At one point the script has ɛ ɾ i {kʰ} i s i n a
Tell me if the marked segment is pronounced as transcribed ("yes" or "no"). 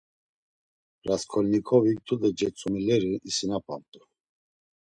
no